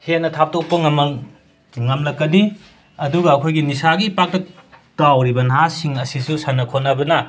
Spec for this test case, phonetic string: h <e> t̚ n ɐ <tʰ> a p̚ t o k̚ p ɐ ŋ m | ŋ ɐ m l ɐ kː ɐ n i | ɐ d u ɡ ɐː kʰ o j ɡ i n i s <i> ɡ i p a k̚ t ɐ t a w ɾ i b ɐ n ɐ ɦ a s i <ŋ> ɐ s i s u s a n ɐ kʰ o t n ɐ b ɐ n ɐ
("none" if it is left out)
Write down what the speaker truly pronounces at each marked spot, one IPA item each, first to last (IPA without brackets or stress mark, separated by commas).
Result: e, tʰ, a, ŋ